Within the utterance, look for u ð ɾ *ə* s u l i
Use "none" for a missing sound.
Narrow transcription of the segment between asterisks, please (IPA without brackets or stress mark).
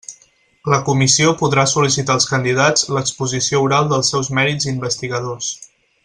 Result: a